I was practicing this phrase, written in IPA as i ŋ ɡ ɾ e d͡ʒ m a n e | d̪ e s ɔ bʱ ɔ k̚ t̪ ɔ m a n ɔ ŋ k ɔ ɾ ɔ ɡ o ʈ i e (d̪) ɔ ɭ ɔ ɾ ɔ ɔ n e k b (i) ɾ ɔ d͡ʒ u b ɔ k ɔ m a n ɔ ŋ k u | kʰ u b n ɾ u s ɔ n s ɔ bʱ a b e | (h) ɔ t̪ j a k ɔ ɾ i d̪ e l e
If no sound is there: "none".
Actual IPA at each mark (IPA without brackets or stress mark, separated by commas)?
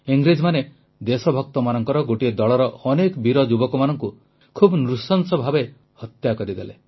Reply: d̪, i, h